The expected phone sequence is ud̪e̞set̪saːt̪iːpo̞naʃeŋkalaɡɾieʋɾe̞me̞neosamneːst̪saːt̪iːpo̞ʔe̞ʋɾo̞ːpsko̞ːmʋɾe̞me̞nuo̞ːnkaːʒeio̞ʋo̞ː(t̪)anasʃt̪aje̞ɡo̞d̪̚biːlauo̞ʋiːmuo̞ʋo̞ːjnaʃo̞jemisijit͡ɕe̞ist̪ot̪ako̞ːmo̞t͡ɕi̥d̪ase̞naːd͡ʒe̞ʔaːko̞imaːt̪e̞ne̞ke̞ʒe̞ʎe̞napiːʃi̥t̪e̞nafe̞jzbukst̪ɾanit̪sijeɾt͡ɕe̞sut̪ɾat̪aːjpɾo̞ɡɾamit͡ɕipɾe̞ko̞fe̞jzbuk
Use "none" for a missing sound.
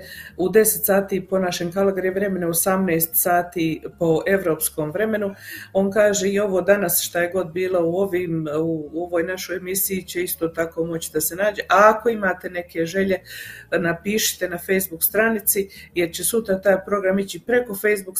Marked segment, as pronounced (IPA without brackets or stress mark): d̪